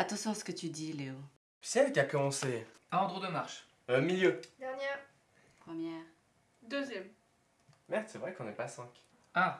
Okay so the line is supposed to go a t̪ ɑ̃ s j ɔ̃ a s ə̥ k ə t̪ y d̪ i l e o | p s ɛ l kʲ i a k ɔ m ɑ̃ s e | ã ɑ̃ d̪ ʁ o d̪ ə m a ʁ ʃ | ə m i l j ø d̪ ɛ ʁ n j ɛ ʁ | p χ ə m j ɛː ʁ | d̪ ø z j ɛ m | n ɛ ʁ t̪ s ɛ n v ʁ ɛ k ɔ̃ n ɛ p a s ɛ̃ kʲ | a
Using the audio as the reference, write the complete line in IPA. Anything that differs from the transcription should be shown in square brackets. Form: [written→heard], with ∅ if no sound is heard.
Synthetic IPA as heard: a t̪ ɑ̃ s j ɔ̃ a s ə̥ k ə t̪ y d̪ i l e o | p s ɛ l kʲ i a k ɔ m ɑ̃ s e | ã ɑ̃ d̪ ʁ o d̪ ə m a ʁ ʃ | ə m i l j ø d̪ ɛ ʁ n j ɛ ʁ | p χ ə m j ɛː ʁ | d̪ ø z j ɛ m | [n→m] ɛ ʁ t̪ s ɛ [n→∅] v ʁ ɛ k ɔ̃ n ɛ p a s ɛ̃ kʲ | a